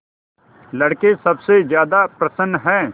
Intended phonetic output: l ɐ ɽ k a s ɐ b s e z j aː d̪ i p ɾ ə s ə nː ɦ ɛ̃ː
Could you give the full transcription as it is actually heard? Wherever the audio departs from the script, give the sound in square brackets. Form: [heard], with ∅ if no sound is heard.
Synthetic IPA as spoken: l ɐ ɽ k [e] s ɐ b s e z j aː d̪ [a] p ɾ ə s ə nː ɦ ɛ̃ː